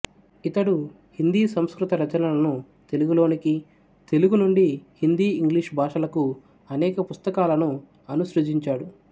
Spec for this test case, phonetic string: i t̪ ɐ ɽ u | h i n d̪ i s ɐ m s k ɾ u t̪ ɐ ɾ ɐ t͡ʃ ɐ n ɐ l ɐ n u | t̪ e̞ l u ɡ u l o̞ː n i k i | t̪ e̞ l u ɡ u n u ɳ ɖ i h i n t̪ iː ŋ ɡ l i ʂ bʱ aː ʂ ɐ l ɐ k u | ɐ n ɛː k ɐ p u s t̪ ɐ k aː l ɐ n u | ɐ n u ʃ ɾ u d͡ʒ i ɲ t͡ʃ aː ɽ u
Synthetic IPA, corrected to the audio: i t̪ ɐ ɽ u | h i n d̪ iː s ɐ m s k ɾ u t̪ ɐ ɾ ɐ t͡ʃ ɐ n ɐ l ɐ n u | t̪ e̞ l u ɡ u l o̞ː n i k i | t̪ e̞ l u ɡ u n u ɳ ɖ i h i n d̪ iː ŋ ɡ l i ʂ bʱ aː ʂ ɐ l ɐ k u | ɐ n ɛː k ɐ p u s t̪ ɐ k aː l ɐ n u | ɐ n u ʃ ɾ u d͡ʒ i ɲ t͡ʃ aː ɽ u